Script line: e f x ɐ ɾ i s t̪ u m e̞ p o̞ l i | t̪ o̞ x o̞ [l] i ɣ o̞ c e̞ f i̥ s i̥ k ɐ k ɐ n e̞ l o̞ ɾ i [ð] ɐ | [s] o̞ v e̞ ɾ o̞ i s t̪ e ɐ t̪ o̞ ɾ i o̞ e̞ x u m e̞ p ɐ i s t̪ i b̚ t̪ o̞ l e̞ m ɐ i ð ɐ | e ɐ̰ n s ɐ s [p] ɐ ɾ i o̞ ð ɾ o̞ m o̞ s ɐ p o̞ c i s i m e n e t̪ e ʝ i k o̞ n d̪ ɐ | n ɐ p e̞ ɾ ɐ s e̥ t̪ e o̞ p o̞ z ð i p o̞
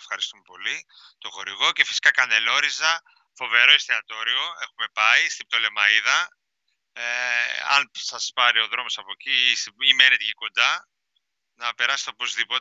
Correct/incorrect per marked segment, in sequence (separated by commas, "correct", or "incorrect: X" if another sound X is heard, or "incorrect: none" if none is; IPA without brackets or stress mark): incorrect: ɾ, incorrect: z, incorrect: f, correct